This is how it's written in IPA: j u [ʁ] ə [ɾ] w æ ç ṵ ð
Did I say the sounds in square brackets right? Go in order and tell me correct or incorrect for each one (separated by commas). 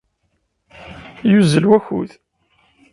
incorrect, incorrect